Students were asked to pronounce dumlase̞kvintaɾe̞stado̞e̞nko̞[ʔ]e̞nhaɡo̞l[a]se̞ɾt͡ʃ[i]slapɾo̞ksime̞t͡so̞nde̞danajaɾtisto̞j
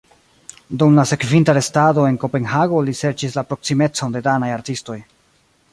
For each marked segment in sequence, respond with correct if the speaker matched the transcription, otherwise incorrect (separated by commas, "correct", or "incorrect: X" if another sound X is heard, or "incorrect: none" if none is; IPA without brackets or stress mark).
incorrect: p, incorrect: i, correct